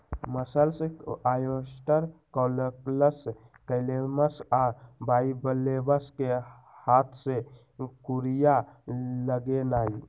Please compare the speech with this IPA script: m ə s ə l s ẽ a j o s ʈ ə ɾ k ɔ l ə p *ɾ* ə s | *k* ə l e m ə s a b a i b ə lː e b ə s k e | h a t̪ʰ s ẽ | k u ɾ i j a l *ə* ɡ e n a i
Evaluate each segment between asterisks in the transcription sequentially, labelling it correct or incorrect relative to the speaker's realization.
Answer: incorrect: l, correct, correct

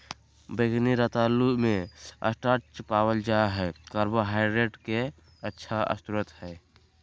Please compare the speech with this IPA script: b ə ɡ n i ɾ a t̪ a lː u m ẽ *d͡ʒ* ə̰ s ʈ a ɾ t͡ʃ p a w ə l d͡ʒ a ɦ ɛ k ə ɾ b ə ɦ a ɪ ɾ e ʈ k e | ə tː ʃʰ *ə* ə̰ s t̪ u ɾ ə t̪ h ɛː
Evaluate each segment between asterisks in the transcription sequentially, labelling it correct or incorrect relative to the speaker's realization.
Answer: incorrect: none, incorrect: a

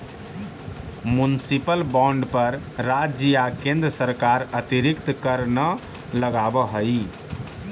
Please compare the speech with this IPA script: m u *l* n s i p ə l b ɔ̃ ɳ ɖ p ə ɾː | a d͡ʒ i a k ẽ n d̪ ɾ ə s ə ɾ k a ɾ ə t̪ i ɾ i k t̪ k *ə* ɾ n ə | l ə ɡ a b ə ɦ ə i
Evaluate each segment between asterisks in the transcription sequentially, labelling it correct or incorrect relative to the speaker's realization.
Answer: incorrect: none, correct

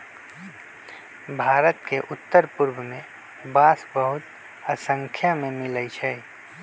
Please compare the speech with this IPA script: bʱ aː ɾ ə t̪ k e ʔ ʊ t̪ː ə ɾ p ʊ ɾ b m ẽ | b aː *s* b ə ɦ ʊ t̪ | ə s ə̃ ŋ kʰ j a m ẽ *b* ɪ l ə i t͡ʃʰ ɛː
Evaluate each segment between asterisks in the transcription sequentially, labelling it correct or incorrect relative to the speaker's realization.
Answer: correct, incorrect: m

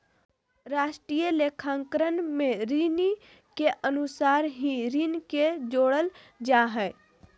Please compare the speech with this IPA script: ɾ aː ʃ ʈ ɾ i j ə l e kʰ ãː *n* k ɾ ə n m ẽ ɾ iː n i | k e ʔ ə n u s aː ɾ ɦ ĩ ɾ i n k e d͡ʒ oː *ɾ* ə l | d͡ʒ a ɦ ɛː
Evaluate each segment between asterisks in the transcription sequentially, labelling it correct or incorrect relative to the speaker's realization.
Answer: incorrect: ŋ, incorrect: ɽ

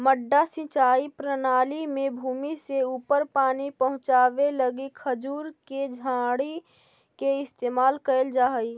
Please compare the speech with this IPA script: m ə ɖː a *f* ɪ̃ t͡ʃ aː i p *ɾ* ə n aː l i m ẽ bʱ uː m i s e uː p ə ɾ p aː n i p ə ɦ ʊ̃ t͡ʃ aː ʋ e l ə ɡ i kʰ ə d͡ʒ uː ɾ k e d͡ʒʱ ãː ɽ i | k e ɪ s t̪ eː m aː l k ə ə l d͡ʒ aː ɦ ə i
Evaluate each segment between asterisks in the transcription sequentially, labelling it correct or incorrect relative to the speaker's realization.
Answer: incorrect: s, correct

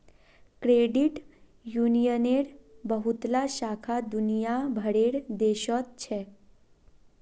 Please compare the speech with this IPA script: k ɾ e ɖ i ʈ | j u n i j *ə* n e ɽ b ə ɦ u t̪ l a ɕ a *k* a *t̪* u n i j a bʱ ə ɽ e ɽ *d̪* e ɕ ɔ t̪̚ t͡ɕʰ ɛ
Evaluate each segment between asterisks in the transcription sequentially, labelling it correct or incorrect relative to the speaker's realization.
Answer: correct, incorrect: kʰ, incorrect: d̪, correct

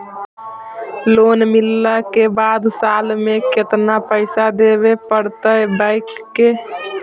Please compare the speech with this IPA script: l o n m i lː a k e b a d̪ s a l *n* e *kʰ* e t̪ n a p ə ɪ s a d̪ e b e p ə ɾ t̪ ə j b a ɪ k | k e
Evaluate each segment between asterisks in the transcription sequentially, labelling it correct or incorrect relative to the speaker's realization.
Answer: incorrect: m, incorrect: k

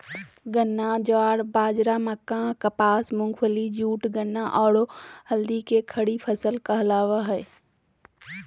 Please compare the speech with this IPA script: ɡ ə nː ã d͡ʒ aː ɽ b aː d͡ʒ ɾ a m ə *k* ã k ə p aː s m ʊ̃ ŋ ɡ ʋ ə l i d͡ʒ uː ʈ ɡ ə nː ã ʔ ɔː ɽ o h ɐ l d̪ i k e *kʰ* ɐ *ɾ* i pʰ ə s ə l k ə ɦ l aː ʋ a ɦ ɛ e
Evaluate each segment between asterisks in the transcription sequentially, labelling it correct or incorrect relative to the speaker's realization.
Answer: correct, correct, incorrect: ɽ

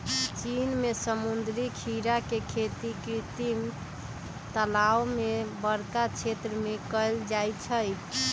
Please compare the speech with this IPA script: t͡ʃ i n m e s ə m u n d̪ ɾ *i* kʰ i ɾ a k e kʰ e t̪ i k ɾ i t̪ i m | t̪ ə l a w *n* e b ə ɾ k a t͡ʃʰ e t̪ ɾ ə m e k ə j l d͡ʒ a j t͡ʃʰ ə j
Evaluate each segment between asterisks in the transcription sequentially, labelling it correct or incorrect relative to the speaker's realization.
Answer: correct, incorrect: m

